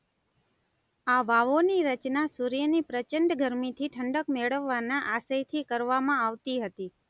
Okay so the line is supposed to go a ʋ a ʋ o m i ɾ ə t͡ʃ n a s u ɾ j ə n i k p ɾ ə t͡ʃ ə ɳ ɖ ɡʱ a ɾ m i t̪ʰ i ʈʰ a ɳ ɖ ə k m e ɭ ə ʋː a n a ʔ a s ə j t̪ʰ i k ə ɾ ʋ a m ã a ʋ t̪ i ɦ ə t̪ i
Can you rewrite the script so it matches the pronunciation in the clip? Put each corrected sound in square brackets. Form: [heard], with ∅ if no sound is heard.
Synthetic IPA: a ʋ a ʋ o [n] i ɾ ə t͡ʃ n a s u ɾ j ə n i [∅] p ɾ ə t͡ʃ ə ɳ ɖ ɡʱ [ə] ɾ m i t̪ʰ i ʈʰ [ə] ɳ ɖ ə k m e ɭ ə ʋː a n a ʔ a s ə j t̪ʰ i k ə ɾ ʋ a m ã a ʋ t̪ i ɦ ə t̪ i